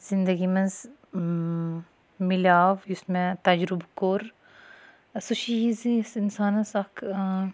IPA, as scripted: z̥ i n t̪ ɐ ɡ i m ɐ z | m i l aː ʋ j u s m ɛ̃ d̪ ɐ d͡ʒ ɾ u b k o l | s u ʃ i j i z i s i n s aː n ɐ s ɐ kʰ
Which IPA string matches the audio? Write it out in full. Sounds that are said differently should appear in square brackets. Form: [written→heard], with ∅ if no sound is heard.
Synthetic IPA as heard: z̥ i n [t̪→d̪] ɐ ɡ i m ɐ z | m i l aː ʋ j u s m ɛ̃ [d̪→t̪] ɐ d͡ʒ ɾ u b k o [l→ɾ] | s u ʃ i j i z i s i n s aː n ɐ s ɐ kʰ